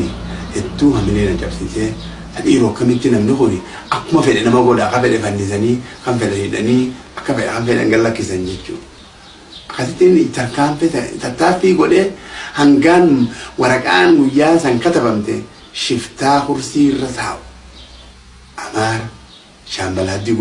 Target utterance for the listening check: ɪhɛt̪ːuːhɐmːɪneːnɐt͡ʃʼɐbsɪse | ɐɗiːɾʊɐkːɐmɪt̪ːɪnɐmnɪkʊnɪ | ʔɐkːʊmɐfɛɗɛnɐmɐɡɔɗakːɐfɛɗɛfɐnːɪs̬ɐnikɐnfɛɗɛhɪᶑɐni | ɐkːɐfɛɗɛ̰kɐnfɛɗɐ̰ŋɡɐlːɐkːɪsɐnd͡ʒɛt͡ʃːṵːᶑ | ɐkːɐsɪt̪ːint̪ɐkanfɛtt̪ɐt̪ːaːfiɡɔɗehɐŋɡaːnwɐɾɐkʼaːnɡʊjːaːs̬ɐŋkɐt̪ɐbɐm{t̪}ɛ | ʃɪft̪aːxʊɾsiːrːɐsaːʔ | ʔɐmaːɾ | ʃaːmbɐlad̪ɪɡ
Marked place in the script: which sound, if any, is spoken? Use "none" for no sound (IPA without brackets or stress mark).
t̪